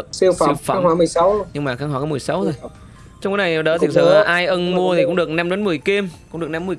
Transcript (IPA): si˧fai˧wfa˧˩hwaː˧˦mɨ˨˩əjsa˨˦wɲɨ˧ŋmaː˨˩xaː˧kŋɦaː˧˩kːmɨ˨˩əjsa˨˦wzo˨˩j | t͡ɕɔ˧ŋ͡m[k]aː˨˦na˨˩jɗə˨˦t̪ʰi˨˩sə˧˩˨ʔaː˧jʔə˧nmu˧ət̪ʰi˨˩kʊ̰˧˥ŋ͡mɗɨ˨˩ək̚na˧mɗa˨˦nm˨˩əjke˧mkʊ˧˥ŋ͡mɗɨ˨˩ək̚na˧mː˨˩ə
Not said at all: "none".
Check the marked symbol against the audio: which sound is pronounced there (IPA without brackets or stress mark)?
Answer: k